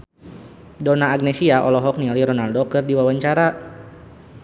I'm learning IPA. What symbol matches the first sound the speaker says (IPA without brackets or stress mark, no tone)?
d